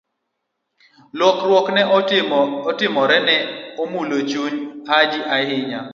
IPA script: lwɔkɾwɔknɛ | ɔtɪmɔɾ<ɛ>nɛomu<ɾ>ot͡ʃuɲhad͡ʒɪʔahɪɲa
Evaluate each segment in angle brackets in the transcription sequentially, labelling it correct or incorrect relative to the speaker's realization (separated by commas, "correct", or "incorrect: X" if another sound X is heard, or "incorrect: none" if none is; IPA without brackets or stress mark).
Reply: correct, incorrect: l